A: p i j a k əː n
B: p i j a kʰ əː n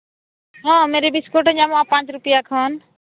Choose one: B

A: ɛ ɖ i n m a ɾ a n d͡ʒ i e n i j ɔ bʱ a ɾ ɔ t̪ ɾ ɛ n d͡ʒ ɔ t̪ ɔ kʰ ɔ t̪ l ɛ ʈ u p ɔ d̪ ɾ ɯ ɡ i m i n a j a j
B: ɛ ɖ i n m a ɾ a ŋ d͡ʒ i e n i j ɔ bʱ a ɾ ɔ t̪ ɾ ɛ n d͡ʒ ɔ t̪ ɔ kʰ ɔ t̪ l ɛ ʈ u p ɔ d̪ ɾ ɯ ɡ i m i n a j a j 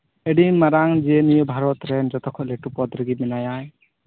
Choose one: B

